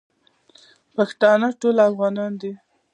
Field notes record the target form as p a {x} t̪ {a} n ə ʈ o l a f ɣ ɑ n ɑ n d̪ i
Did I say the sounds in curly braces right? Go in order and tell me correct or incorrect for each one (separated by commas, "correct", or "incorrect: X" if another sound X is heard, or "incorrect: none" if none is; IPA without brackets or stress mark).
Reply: correct, incorrect: ɑ